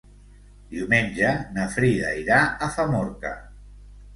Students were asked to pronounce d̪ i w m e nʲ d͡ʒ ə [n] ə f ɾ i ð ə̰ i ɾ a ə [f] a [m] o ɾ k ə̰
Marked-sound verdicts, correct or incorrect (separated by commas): correct, correct, correct